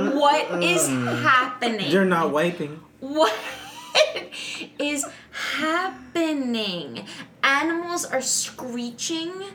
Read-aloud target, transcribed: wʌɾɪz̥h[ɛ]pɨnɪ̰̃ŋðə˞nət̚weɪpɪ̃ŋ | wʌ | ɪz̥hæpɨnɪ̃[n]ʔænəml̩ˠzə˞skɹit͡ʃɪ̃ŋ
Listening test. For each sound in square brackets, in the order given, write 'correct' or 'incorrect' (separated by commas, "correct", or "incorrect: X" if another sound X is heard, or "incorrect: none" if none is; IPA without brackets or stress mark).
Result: incorrect: æ, incorrect: ŋ